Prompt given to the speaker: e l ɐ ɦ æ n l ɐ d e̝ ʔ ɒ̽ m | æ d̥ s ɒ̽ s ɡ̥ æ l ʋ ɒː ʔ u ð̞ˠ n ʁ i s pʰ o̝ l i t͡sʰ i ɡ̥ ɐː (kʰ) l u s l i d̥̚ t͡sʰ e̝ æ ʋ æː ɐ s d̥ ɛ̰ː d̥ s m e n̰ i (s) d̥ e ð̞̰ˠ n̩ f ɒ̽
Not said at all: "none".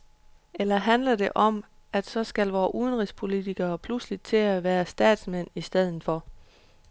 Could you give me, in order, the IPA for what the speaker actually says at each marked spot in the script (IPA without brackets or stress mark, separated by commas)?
pʰ, s